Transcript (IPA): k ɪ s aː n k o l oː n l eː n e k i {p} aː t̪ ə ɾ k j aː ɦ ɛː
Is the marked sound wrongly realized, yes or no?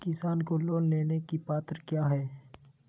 no